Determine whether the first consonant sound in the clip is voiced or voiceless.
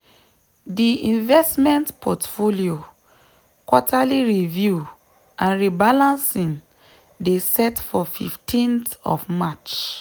voiced